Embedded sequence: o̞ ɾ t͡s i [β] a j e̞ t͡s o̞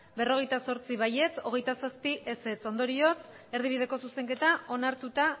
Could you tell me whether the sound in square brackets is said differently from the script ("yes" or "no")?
no